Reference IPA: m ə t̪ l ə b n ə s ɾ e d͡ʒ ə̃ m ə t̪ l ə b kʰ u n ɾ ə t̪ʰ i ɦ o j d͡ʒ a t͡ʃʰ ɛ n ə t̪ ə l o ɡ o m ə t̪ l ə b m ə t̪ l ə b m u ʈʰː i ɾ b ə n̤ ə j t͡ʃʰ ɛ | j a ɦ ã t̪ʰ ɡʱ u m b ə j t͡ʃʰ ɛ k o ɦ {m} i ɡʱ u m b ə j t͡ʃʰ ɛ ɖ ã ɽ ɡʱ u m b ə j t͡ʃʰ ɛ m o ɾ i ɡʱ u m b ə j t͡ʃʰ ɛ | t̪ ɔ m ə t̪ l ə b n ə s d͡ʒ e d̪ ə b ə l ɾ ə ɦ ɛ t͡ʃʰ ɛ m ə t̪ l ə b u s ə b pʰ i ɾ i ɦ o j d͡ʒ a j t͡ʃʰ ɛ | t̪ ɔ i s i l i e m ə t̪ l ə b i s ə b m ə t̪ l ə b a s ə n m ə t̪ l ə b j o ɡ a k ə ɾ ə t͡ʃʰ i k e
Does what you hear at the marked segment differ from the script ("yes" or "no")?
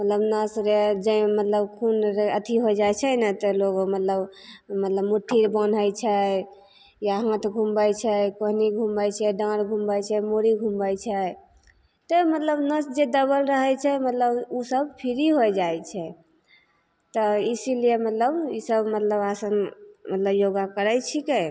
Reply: yes